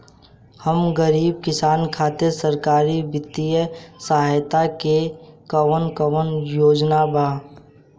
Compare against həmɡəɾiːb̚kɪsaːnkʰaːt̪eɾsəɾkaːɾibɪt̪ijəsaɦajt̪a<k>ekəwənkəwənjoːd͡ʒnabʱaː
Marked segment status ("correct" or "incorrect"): correct